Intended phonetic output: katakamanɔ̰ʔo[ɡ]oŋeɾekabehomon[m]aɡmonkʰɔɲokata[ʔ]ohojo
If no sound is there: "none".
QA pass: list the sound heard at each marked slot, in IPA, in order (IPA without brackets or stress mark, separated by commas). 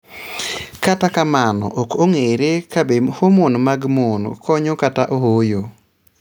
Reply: k, m, ʔ